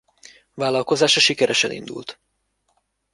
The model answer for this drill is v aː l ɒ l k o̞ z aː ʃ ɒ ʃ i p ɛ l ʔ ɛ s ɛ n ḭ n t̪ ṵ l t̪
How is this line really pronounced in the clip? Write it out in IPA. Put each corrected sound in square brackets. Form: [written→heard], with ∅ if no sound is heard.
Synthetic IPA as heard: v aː l ɒ l k o̞ z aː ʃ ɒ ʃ i [p→k] ɛ [l→ɾ] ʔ ɛ [s→ʃ] ɛ n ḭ n [t̪→d̪] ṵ l t̪